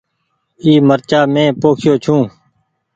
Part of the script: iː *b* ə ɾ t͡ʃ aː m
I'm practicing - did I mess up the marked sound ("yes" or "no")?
yes